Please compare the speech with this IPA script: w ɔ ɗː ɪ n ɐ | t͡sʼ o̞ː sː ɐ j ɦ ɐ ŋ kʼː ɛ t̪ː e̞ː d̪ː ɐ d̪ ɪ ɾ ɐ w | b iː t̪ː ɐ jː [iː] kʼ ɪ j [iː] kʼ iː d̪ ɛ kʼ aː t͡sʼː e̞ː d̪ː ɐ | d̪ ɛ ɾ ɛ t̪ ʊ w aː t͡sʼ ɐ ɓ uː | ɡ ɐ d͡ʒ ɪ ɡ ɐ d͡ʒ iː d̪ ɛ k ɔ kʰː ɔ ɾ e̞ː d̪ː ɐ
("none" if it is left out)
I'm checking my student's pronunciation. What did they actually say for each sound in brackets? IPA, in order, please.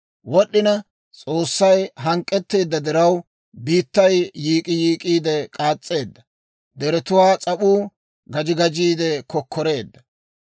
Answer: iː, iː

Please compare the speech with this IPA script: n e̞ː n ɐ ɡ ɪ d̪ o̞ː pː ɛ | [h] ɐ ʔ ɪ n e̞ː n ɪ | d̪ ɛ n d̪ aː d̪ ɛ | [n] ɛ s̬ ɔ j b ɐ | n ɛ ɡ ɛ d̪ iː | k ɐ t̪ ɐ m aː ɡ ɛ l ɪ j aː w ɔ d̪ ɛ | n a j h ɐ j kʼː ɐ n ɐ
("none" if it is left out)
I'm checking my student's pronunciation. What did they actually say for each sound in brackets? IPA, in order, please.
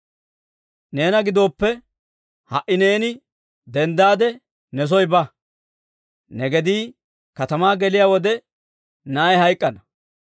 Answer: h, n

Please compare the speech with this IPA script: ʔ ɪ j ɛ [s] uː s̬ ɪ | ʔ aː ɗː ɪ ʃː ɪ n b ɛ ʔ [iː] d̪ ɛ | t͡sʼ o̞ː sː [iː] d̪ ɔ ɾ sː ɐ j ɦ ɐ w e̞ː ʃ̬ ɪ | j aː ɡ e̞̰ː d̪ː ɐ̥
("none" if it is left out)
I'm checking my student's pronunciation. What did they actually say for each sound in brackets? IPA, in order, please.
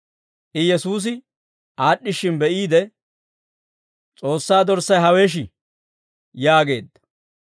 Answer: s, iː, aː

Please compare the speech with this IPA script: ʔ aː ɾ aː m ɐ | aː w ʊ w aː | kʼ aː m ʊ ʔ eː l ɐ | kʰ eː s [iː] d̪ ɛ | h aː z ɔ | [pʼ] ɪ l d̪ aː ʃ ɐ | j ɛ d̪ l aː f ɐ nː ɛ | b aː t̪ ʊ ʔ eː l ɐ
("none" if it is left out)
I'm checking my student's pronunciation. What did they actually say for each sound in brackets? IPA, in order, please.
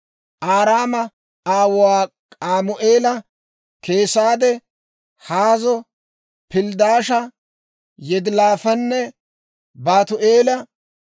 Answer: aː, p

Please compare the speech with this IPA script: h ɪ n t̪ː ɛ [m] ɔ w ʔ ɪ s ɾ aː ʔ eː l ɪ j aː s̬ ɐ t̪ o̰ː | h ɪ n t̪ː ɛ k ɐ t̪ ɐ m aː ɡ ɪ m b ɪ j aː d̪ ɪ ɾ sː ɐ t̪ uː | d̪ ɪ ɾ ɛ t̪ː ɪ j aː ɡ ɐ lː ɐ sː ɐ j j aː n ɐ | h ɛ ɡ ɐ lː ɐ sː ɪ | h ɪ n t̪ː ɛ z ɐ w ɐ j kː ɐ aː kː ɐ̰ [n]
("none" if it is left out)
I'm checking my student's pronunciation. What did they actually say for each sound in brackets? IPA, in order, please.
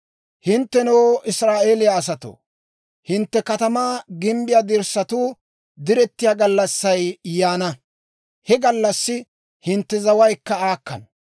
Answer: n, n

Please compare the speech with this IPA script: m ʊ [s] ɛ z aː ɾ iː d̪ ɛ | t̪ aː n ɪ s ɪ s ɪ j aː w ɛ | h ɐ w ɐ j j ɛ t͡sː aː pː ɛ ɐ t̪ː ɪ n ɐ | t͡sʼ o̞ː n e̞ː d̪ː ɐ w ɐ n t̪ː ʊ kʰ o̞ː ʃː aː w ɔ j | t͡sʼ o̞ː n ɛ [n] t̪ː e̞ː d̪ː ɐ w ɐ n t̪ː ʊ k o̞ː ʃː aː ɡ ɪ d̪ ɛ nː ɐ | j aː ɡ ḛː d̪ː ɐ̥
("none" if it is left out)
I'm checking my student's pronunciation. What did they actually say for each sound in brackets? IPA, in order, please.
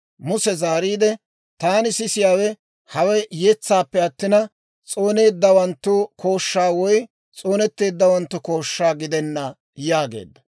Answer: s, none

